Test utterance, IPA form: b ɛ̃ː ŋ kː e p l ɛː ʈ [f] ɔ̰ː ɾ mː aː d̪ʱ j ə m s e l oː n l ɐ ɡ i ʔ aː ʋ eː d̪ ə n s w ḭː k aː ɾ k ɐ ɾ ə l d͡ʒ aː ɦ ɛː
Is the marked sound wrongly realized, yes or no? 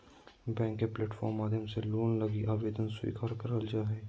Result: no